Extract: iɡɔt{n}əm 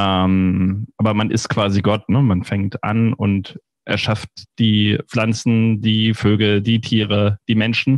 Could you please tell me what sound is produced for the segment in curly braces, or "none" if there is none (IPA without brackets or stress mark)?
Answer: n